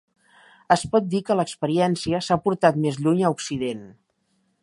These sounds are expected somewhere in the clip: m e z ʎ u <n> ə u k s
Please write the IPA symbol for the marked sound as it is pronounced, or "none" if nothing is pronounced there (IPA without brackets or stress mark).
ɲ